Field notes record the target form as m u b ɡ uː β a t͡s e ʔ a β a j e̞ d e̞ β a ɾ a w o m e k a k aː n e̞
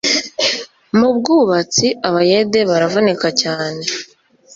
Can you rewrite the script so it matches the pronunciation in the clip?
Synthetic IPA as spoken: m u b ɡ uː β a t͡s i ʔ a β a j e̞ d e̞ β a ɾ a v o n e k a c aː n e̞